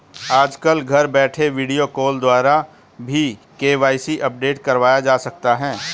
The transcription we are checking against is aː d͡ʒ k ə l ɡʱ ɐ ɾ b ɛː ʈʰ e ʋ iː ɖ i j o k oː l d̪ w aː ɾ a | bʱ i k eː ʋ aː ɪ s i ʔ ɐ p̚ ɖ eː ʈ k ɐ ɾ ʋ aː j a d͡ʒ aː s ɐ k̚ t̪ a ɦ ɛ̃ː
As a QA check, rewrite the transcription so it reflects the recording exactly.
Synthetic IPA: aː d͡ʒ k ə l ɡʱ ɐ ɾ b ɛː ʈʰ e ʋ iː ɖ i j o k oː l d̪ w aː ɾ a | bʱ i k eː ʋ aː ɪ s i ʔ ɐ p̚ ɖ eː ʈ k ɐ ɾ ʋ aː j a d͡ʒ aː s ɐ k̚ t̪ a ɦ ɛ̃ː